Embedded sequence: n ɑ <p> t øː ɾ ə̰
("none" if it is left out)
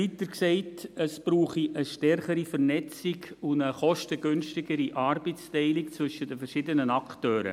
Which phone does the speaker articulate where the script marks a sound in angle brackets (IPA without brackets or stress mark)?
k